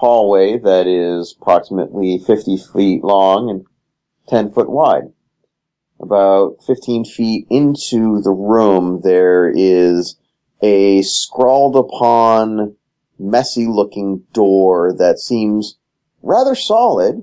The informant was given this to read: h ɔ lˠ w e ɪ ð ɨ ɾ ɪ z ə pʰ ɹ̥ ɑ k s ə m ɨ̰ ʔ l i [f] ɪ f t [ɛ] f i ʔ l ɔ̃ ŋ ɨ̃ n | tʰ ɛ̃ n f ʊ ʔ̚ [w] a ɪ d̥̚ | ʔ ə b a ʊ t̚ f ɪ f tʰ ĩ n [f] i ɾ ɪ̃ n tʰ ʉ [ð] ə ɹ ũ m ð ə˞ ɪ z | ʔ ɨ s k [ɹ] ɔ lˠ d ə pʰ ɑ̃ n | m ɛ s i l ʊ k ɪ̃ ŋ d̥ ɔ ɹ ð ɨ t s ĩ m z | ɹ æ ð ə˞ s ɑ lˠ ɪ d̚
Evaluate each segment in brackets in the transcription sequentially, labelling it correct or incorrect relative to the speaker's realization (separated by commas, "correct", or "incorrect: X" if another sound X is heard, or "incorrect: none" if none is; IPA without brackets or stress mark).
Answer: correct, incorrect: i, correct, correct, correct, correct